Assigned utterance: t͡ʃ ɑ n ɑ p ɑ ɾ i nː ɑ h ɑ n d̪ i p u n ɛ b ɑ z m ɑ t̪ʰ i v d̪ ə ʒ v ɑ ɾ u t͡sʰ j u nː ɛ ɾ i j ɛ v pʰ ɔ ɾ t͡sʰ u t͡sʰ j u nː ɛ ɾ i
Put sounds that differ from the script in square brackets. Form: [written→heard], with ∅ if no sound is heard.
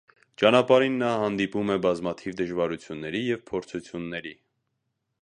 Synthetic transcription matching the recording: t͡ʃ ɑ n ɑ p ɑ ɾ i nː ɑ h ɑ n d̪ i p u [n→m] ɛ b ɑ z m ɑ t̪ʰ i v d̪ ə ʒ v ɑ ɾ u t͡sʰ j u nː ɛ ɾ i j ɛ v pʰ ɔ ɾ t͡sʰ u t͡sʰ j u nː ɛ ɾ i